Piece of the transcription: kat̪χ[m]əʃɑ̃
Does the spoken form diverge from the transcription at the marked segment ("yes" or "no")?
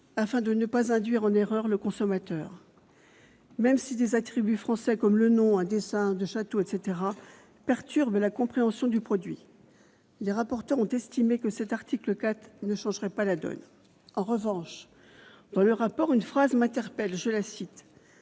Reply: yes